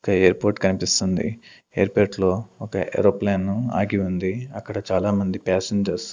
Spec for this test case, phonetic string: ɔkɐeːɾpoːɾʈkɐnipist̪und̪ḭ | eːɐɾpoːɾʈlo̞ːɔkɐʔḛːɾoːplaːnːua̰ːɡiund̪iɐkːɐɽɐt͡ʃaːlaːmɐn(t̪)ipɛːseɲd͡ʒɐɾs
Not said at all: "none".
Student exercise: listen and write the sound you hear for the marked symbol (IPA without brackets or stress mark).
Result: d̪